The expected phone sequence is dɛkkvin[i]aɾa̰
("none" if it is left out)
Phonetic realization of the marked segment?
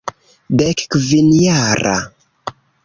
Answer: j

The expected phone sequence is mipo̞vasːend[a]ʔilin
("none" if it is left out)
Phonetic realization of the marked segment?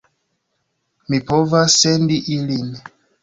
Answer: i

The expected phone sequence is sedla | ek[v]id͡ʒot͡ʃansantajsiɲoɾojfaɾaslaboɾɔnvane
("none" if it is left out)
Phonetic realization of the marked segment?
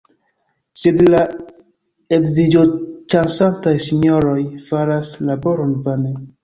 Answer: z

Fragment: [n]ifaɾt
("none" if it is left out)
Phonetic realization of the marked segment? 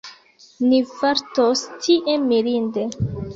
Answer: n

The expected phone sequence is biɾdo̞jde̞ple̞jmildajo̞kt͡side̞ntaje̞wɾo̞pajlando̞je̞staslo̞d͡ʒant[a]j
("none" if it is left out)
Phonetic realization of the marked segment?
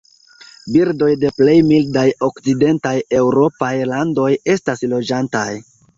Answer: a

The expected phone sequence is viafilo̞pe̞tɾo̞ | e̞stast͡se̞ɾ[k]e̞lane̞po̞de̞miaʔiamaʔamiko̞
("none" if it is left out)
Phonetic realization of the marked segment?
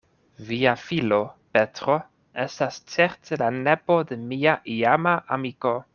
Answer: t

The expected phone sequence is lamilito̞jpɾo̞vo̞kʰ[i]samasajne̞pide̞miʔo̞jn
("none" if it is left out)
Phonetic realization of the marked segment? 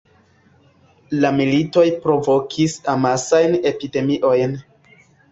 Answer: i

